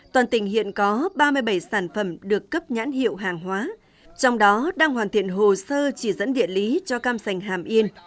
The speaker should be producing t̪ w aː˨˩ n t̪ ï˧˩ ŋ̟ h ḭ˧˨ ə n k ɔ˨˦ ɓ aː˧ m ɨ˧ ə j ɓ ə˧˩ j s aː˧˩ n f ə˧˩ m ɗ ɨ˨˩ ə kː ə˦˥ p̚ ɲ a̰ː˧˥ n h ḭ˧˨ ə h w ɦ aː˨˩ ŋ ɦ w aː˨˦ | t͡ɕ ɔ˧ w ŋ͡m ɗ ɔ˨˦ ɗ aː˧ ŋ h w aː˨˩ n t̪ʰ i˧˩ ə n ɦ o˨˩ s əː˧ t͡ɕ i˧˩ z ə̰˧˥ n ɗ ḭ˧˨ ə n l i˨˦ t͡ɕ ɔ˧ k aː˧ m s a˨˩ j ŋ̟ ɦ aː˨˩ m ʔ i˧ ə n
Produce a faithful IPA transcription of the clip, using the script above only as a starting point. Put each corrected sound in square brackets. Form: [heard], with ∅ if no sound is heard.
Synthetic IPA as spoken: t̪ w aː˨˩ n t̪ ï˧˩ ŋ̟ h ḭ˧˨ ə n k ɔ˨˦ ɓ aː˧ m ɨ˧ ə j ɓ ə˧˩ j s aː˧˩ n f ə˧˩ m ɗ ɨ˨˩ ə kː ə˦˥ p̚ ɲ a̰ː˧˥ n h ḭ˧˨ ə [∅] w ɦ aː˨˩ ŋ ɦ w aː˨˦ | t͡ɕ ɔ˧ w ŋ͡m ɗ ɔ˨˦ ɗ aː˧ ŋ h w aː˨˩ n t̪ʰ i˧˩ ə n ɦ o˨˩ s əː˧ t͡ɕ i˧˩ z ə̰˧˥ n ɗ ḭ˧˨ ə n l i˨˦ t͡ɕ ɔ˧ k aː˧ m s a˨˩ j ŋ̟ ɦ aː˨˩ m ʔ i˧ ə n